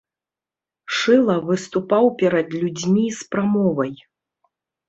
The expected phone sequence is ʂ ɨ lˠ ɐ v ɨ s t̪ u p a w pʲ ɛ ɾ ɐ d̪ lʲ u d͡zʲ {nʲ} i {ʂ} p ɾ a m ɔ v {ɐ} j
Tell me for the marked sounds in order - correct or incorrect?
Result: incorrect, incorrect, correct

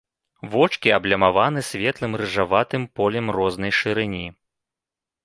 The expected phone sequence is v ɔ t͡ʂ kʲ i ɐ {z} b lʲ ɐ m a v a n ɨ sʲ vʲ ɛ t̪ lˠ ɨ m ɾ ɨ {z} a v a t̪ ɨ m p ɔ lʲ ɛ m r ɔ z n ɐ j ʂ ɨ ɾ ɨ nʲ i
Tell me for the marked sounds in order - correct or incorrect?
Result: incorrect, incorrect

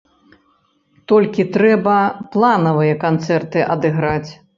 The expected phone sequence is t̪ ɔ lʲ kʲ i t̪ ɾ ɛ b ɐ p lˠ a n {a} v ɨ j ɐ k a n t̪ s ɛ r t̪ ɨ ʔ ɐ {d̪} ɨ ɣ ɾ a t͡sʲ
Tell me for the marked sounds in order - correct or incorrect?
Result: incorrect, correct

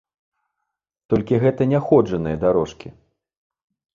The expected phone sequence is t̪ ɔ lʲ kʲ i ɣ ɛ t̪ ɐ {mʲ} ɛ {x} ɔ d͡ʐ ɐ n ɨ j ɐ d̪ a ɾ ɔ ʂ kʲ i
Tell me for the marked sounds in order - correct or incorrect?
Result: incorrect, correct

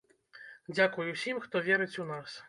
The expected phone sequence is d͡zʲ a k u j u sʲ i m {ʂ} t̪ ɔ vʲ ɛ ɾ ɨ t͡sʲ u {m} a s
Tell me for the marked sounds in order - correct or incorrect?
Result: incorrect, incorrect

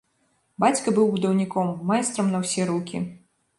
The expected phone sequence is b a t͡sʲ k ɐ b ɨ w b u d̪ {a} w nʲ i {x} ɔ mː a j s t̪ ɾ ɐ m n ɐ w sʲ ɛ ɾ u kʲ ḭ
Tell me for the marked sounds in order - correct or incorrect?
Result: incorrect, incorrect

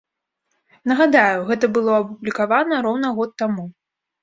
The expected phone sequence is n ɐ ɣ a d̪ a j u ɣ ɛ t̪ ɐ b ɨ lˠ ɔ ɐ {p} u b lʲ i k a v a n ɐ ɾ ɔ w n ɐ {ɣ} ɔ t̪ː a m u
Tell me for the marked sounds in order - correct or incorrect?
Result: correct, correct

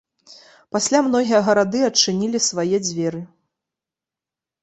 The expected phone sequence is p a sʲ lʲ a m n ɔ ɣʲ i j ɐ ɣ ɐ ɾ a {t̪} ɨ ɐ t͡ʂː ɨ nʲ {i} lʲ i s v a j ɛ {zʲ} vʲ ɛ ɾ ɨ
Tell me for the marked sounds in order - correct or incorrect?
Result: incorrect, correct, incorrect

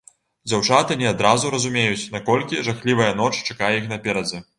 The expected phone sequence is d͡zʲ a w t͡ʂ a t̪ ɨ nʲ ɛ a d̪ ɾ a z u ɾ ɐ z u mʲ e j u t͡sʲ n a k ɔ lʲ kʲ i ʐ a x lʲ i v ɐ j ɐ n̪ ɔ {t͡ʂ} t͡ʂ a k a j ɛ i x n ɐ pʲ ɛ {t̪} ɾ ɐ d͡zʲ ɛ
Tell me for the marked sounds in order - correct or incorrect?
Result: correct, incorrect

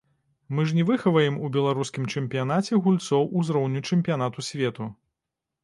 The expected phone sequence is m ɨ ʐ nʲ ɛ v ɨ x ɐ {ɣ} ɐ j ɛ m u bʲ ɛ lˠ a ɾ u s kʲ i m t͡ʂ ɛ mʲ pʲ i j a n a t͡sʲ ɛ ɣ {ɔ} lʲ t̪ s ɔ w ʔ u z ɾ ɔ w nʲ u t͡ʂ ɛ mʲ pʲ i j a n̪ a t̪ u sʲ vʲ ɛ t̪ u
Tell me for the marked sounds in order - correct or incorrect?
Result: incorrect, incorrect

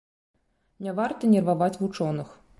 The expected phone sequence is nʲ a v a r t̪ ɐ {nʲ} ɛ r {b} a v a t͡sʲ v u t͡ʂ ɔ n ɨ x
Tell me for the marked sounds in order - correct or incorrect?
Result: correct, incorrect

